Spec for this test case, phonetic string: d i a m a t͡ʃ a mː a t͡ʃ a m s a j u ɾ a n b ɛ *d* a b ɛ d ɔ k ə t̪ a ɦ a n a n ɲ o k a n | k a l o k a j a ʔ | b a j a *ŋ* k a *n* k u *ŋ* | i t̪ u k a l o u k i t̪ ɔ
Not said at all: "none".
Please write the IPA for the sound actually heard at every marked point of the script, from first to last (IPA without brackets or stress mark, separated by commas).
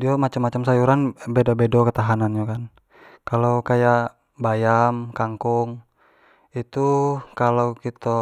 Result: d, m, ŋ, ŋ